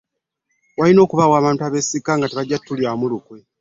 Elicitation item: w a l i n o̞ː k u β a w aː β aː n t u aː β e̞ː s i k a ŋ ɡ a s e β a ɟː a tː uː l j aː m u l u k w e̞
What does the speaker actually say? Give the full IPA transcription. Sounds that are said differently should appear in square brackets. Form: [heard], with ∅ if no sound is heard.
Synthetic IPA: w a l i n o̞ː k u β a w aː β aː n t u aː β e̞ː s i k a ŋ ɡ a [t] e β a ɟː a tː [u] l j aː m u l u k w e̞